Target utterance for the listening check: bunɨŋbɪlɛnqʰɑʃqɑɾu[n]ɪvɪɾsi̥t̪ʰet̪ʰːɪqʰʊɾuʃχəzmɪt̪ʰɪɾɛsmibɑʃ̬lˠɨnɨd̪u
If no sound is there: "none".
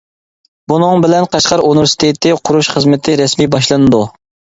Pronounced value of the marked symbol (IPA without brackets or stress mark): n